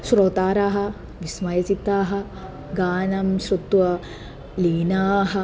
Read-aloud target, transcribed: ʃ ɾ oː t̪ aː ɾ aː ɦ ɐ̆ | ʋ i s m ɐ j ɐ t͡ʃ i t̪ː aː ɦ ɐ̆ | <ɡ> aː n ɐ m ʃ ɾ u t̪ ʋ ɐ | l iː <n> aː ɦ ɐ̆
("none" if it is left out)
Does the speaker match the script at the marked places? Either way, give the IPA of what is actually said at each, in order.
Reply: ɡ, n

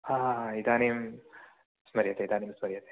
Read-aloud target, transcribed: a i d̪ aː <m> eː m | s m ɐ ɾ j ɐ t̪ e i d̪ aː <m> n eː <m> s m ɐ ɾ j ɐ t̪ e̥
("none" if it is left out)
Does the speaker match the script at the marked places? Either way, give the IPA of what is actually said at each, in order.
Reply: n, none, m

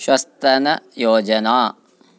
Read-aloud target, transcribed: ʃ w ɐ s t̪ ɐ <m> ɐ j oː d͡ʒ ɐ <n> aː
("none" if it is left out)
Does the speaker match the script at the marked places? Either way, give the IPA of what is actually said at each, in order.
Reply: n, n

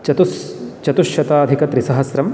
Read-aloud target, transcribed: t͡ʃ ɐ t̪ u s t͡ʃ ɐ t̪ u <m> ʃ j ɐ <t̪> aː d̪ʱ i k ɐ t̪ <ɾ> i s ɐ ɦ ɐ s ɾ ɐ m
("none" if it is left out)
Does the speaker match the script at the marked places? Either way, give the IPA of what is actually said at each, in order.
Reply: none, t̪, ɾ

